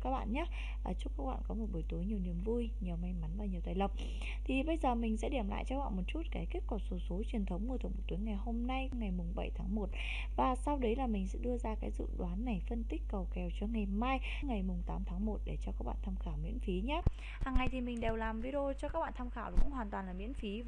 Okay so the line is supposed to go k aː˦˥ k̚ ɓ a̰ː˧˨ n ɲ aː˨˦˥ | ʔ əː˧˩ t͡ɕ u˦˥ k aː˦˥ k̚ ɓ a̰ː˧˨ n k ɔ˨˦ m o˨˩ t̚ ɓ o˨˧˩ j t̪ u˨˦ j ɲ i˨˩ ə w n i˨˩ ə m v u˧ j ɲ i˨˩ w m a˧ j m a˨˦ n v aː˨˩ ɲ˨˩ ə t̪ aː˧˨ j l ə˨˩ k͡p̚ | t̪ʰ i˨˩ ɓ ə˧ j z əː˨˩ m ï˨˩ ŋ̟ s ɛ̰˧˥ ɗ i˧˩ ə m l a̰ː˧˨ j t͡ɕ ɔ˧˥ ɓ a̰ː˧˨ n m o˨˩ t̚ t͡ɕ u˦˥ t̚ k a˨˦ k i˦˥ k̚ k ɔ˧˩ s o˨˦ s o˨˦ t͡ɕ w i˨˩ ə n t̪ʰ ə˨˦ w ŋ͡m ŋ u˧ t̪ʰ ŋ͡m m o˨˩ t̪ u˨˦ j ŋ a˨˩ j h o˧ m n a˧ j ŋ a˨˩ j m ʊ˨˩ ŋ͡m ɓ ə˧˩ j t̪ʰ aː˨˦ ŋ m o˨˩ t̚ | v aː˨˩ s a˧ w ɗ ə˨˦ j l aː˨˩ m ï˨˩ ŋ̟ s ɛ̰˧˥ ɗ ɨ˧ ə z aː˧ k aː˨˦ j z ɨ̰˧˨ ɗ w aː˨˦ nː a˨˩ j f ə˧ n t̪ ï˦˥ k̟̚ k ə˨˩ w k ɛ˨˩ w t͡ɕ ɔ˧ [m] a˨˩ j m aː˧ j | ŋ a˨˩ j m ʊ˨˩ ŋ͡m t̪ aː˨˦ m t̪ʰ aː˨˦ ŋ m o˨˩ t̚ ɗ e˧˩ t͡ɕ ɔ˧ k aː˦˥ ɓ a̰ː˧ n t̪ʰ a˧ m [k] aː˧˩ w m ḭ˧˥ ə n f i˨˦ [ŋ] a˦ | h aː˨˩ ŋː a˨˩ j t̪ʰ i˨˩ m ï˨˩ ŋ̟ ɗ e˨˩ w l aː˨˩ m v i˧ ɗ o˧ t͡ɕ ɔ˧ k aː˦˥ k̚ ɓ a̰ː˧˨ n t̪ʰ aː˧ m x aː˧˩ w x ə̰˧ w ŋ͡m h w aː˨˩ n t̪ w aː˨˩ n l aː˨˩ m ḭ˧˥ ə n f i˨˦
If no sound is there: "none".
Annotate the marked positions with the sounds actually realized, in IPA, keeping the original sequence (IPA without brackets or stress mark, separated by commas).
ŋ, x, ɲ